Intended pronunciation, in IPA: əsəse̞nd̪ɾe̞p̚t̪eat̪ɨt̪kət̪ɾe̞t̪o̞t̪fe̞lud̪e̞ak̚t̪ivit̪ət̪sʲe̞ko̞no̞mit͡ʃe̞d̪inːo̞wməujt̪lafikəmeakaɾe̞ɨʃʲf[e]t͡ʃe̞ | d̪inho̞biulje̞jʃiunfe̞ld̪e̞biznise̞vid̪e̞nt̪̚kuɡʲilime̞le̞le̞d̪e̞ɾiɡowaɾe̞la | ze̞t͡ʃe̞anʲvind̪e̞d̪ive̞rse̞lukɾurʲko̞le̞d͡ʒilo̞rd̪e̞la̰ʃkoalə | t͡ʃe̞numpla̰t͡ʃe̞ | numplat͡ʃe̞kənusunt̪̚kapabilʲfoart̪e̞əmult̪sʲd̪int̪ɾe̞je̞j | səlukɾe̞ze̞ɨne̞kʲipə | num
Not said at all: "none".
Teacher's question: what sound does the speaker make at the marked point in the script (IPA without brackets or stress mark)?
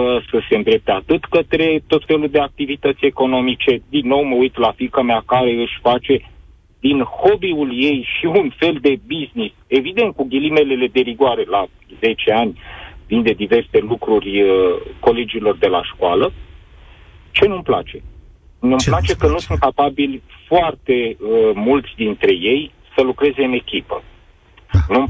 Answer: a